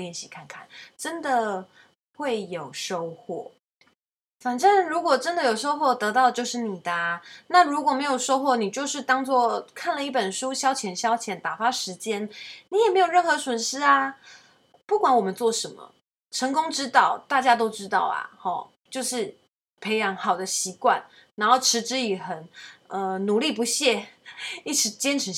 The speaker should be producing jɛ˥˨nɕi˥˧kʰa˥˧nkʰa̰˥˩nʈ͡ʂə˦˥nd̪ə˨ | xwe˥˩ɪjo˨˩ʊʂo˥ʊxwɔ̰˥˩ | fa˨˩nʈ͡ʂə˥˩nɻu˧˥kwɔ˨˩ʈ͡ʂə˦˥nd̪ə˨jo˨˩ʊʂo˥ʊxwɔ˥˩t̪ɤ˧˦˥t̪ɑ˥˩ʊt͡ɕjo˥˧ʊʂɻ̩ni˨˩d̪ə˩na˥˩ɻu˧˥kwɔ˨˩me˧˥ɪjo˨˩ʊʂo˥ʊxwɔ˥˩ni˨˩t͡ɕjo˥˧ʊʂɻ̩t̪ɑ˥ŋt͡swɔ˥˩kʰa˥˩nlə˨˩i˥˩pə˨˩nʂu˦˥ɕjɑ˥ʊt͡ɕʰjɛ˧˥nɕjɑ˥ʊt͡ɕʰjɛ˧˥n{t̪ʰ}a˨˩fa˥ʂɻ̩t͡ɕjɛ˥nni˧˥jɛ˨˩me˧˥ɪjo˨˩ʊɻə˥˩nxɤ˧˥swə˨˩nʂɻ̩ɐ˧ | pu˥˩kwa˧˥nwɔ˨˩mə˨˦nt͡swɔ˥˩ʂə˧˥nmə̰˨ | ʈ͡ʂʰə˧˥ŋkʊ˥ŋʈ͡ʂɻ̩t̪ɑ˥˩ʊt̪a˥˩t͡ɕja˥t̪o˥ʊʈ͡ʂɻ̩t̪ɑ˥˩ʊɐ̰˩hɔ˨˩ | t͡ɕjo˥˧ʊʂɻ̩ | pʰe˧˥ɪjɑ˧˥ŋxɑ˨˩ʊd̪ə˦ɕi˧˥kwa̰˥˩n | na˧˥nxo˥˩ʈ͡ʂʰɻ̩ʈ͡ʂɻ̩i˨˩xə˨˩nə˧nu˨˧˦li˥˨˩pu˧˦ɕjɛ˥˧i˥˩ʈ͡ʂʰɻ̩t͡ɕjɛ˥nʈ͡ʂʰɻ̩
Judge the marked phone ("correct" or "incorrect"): incorrect